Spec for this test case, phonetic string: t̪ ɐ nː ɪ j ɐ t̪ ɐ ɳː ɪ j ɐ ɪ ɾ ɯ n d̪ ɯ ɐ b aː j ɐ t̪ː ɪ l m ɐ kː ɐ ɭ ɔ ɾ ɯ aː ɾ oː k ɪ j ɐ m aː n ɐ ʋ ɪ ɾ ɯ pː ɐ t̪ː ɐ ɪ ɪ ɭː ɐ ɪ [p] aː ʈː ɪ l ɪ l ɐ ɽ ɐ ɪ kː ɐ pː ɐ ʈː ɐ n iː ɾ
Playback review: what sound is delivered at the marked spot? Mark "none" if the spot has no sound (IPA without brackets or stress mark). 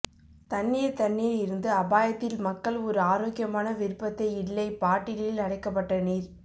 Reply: p